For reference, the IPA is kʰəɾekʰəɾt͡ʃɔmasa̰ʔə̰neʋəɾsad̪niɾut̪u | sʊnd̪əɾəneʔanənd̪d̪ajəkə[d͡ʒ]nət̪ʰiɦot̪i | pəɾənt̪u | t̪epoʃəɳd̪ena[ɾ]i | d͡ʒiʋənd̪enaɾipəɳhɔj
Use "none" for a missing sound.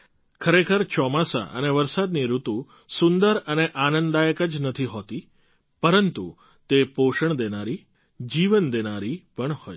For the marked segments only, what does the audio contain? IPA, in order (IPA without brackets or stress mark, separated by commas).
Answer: d͡ʒ, ɾ